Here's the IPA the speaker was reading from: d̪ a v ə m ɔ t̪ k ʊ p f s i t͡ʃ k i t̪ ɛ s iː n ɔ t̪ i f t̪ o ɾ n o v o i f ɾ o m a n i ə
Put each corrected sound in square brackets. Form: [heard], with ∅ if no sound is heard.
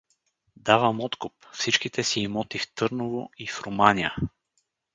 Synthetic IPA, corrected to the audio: d̪ a v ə m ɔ t̪ k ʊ p f s i t͡ʃ k i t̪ ɛ s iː [m] ɔ t̪ i f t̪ [ɤ] ɾ n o v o i f ɾ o m a n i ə